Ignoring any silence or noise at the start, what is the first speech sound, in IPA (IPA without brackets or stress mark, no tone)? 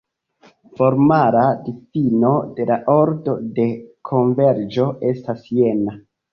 f